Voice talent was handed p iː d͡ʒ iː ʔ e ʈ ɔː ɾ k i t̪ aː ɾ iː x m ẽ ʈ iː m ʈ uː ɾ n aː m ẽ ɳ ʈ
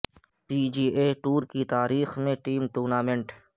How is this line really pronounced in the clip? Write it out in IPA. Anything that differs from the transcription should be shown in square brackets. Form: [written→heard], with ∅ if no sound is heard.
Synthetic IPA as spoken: p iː d͡ʒ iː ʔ e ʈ [ɔː→uː] ɾ k i t̪ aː ɾ iː x m ẽ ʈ iː m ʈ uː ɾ n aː m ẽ ɳ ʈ